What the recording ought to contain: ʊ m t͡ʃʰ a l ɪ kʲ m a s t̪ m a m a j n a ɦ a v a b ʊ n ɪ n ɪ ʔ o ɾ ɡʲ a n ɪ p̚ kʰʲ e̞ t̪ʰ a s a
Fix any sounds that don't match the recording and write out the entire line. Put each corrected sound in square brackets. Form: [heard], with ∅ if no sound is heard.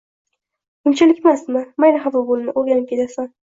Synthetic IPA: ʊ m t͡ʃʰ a l ɪ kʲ m a s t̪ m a m a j n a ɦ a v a b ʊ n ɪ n ɪ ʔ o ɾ ɡʲ a n ɪ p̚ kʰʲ e̞ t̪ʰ a s a